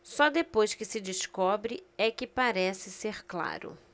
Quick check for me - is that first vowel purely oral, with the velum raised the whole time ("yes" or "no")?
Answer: yes